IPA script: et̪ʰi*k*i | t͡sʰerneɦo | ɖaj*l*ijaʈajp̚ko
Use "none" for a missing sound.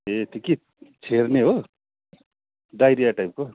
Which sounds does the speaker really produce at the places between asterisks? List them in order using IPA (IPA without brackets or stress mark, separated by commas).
k, ɾ